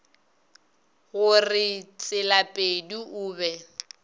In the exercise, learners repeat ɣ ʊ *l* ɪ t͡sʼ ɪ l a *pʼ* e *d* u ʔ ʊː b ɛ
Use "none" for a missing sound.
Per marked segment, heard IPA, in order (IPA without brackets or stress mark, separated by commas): r, pʼ, d